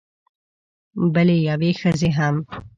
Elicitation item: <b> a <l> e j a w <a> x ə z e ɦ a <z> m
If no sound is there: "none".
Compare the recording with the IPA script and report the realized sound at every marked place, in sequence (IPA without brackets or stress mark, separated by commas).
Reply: b, l, e, none